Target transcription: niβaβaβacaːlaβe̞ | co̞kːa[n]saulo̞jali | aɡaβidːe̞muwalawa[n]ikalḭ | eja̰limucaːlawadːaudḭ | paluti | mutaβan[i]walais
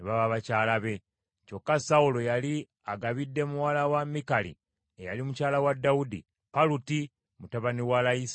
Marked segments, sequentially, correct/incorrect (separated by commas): incorrect, incorrect, correct